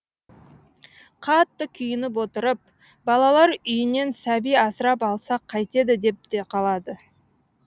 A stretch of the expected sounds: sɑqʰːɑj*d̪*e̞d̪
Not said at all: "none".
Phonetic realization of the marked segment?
t̪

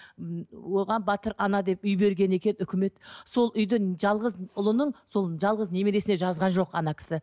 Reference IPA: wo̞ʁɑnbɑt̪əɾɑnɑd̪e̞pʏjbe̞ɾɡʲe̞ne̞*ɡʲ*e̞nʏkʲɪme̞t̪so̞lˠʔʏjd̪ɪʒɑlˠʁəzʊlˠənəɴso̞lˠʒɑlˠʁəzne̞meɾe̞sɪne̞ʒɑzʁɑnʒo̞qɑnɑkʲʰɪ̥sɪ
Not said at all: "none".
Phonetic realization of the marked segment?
kʲ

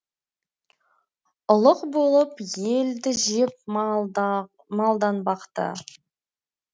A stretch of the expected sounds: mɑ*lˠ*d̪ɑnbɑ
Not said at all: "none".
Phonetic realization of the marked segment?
lˠ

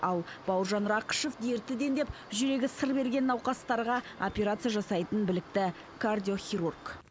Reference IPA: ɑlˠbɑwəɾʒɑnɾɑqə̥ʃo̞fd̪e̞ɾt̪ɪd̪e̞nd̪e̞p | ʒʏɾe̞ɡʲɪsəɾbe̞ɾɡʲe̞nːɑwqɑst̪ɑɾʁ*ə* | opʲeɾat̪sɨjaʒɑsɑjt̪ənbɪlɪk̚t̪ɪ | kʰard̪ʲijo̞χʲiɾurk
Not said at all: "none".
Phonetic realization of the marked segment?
ɑ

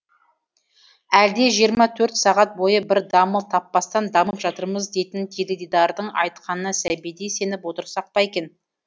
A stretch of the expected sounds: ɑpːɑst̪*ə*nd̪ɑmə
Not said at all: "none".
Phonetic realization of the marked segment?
ɑ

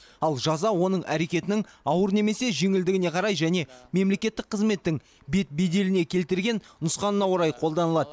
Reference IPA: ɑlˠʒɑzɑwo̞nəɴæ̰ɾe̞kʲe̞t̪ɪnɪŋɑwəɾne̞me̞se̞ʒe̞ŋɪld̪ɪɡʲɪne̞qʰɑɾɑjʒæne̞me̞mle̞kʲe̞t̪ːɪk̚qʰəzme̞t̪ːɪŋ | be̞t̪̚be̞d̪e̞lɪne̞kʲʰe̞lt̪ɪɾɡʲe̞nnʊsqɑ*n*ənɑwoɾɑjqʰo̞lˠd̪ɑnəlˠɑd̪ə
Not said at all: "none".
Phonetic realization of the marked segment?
n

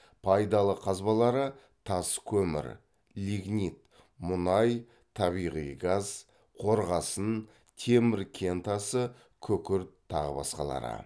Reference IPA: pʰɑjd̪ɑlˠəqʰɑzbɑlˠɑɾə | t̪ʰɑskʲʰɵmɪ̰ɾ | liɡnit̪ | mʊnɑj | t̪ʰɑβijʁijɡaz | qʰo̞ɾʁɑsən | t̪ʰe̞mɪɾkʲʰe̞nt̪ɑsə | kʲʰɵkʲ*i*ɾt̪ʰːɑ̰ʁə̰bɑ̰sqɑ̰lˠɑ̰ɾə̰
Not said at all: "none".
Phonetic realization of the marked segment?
ɪ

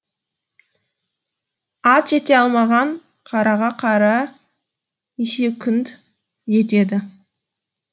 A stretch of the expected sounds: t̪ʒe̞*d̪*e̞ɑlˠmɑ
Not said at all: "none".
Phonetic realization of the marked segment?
t̪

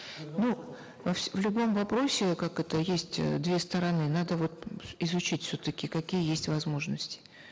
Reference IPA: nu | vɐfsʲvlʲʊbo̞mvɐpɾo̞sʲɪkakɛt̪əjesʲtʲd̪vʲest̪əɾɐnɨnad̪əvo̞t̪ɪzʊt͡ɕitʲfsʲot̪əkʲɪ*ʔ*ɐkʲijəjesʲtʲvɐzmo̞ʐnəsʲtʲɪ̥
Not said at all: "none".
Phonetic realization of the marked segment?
k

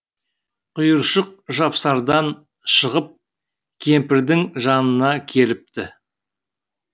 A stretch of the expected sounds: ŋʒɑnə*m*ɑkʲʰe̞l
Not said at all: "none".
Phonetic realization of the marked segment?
n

